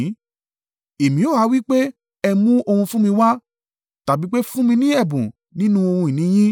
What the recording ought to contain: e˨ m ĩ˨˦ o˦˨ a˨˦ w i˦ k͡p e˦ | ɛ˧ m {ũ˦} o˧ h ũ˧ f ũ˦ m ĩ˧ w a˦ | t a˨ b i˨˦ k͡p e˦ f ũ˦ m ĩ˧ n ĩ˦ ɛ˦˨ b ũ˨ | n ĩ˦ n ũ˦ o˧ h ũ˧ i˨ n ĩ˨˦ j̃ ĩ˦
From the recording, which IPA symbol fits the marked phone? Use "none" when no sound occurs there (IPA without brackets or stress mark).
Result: ũ˦